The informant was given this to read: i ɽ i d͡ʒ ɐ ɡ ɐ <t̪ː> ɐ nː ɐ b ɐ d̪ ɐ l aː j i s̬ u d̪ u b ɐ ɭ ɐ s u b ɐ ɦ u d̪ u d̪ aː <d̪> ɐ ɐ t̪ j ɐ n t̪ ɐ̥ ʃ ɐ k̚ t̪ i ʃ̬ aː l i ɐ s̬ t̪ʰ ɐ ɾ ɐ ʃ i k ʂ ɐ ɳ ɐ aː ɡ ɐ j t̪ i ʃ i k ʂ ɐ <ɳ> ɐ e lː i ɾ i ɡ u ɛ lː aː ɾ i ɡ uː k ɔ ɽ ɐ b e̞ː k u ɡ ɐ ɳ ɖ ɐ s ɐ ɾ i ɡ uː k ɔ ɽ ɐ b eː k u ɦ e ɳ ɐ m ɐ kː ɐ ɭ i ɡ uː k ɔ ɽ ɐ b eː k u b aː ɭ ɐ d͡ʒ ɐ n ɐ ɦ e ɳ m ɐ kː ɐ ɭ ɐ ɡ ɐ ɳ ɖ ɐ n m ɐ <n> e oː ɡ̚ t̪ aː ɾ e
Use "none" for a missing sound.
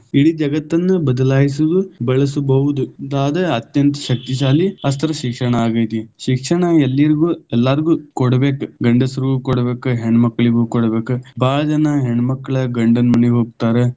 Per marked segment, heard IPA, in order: t̪ː, d̪, ɳ, n

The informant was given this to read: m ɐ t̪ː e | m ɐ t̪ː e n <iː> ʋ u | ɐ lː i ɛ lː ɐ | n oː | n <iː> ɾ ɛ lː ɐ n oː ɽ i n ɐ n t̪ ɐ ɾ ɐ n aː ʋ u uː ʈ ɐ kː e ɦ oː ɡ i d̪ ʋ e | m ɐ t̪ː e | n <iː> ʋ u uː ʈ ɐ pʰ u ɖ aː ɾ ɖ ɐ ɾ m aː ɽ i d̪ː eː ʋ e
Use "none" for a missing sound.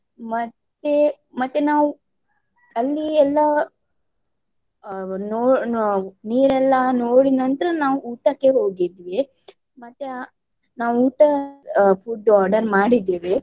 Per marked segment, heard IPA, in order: aː, iː, aː

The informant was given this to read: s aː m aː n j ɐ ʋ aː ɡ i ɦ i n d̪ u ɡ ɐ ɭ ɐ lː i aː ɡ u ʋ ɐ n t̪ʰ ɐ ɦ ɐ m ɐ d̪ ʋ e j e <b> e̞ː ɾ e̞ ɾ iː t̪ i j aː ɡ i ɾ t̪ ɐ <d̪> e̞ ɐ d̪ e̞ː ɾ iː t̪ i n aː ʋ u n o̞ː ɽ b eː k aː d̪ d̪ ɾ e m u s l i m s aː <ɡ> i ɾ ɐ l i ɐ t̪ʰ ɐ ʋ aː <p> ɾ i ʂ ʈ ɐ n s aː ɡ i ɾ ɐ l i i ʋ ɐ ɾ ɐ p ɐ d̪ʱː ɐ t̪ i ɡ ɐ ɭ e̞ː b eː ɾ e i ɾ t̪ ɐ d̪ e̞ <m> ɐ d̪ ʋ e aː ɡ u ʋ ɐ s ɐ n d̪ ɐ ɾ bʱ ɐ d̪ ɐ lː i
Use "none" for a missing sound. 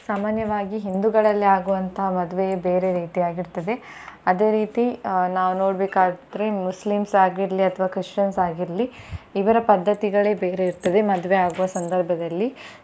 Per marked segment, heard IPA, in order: b, d̪, ɡ, k, m

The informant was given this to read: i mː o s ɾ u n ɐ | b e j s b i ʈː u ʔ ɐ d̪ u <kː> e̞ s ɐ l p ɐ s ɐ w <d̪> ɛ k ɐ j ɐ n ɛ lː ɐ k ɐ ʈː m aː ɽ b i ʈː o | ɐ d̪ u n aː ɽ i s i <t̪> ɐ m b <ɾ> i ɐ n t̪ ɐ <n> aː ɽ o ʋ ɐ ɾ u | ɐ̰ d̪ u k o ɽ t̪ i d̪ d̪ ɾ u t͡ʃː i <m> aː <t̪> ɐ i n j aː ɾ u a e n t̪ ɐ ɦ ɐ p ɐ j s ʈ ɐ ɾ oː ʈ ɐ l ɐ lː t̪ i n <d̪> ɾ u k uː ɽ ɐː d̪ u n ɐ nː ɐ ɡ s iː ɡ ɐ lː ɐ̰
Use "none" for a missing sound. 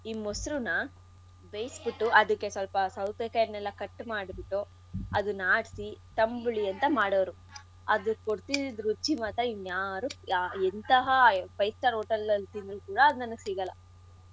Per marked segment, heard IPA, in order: kː, t̪, t̪, ɭ, m, m, t̪, d̪

